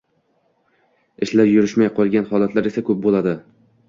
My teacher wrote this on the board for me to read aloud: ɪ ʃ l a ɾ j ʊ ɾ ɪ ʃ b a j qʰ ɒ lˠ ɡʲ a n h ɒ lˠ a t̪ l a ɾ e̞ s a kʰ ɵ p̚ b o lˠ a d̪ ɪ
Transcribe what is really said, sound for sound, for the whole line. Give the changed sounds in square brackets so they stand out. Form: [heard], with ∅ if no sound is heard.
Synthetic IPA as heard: ɪ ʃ l a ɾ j ʊ ɾ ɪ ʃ [m] a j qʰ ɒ lˠ ɡʲ a n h ɒ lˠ a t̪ l a ɾ e̞ s a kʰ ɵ p̚ b o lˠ a d̪ ɪ